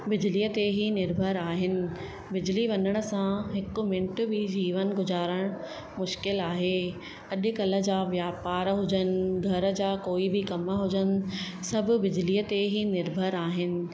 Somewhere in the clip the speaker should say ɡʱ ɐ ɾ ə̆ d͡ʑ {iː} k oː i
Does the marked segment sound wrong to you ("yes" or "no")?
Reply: yes